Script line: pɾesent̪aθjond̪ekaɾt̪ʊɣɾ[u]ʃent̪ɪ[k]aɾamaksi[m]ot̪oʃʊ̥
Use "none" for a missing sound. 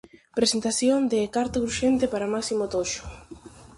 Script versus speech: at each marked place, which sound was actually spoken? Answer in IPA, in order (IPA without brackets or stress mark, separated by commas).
u, p, m